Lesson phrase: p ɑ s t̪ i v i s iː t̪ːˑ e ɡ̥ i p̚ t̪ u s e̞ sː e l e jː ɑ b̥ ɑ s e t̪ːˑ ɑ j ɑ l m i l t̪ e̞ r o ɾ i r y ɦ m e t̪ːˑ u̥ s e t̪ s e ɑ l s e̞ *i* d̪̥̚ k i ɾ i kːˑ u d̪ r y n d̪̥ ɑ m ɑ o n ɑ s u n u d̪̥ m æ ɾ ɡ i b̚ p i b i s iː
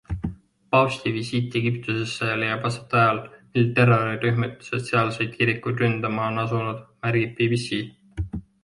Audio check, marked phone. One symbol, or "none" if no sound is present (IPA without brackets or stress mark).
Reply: j